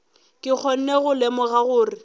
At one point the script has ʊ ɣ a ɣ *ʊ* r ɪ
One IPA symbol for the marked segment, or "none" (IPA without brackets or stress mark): ʊː